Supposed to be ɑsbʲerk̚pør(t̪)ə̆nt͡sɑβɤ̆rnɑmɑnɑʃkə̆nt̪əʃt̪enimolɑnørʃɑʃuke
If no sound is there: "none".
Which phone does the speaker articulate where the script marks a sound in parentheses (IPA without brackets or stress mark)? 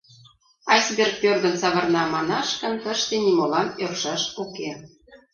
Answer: d̪